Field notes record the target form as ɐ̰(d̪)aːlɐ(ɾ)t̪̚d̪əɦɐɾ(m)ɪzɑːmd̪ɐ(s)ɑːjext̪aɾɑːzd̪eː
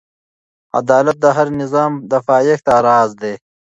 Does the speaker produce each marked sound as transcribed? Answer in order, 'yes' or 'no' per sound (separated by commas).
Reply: yes, no, no, no